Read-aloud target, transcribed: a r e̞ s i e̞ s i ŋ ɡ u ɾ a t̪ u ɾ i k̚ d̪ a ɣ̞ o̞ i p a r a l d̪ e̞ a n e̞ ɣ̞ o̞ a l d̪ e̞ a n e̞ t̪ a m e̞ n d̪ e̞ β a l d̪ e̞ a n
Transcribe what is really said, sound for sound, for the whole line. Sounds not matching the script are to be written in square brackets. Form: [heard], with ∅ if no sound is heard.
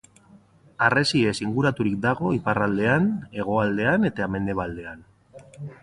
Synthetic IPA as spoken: a r e̞ s i e̞ s i ŋ ɡ u ɾ a t̪ u ɾ i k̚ d̪ a ɣ̞ o̞ i p a r a l d̪ e̞ a n e̞ ɣ̞ o̞ a l d̪ e̞ a n e̞ t̪ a m e̞ n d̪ e̞ β a l d̪ e̞ a n